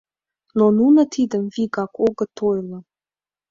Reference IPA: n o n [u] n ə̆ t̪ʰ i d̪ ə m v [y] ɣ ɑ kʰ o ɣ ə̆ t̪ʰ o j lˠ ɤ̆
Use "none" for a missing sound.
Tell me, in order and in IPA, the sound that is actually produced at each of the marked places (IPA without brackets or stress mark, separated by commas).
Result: u, i